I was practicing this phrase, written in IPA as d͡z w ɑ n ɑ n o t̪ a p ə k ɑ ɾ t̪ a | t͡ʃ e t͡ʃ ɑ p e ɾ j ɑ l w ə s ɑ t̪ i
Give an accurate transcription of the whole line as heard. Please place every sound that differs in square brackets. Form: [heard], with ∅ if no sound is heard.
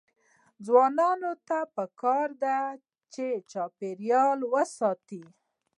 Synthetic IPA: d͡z w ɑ n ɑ n o t̪ a p ə k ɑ ɾ [d̪] a | t͡ʃ e t͡ʃ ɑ p e ɾ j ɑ l w ə s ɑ t̪ i